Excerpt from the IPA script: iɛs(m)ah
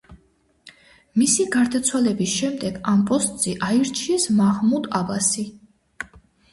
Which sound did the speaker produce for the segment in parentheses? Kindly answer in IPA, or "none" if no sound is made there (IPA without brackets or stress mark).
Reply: m